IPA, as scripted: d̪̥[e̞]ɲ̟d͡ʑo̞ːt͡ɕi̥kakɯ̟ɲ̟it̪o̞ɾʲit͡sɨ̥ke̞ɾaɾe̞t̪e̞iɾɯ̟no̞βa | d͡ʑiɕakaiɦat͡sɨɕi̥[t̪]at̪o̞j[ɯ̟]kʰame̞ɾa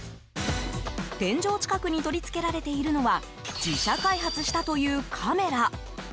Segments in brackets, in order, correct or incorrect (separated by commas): incorrect, correct, incorrect